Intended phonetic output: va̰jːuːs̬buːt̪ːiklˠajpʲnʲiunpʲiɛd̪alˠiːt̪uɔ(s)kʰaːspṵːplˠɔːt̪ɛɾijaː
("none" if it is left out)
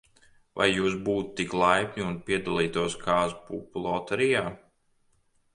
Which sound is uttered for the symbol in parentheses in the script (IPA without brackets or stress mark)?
s